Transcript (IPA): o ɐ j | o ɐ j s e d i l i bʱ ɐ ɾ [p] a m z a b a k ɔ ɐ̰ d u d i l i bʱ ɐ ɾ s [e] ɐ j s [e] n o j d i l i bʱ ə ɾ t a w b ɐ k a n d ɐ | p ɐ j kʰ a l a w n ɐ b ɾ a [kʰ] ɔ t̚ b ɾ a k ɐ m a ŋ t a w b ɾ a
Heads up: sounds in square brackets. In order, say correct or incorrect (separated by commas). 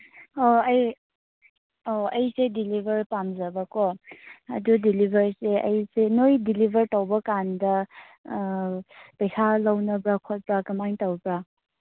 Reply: correct, correct, correct, correct